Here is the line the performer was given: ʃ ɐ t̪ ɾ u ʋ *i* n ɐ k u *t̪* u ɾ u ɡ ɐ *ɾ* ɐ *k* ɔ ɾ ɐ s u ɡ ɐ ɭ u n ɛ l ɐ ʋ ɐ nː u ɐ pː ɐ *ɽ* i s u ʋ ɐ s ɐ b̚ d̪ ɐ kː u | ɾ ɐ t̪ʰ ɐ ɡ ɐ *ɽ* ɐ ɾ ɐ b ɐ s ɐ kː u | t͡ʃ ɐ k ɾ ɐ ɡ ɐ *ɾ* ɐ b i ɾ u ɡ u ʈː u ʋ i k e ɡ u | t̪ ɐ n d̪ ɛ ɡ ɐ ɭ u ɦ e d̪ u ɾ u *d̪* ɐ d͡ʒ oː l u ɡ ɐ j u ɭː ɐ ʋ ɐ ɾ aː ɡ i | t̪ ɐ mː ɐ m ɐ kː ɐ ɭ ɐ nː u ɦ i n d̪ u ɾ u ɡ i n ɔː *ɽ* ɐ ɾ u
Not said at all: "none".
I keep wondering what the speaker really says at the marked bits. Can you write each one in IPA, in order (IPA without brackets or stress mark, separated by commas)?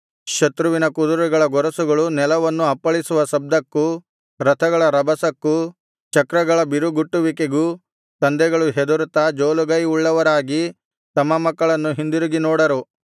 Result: i, d̪, ɭ, ɡ, ɭ, ɭ, ɭ, t̪, ɽ